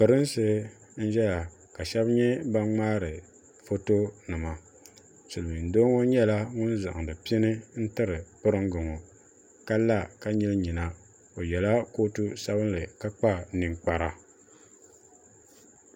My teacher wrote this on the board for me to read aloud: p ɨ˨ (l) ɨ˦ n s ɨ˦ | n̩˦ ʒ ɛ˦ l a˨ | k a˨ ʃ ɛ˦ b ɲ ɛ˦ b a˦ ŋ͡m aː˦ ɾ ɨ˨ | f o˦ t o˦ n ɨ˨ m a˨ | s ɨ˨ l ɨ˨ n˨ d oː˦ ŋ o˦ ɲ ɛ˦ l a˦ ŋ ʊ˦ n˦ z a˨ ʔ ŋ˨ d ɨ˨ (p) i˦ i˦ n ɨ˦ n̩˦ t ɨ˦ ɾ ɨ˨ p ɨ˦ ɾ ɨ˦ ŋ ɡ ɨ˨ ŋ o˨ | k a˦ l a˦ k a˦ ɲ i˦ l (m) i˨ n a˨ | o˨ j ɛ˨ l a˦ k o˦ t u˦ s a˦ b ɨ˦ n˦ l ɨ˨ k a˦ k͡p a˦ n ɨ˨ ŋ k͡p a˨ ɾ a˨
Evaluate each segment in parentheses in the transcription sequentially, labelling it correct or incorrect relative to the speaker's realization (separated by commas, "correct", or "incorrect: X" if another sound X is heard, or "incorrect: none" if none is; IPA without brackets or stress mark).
incorrect: ɾ, correct, incorrect: ɲ